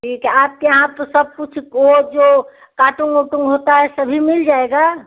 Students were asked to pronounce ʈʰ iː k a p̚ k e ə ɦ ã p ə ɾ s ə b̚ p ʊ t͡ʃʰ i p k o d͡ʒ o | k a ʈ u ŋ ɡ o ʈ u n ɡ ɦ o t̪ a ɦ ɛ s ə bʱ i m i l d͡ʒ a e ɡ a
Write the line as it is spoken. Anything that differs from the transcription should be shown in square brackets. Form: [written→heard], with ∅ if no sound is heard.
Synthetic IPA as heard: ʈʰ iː k a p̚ k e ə ɦ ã p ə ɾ s ə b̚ p [ʊ→u] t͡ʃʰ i [p→∅] k o d͡ʒ o | k a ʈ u ŋ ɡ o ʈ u [n→ŋ] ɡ ɦ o t̪ a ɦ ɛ s ə bʱ i m i l d͡ʒ a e ɡ a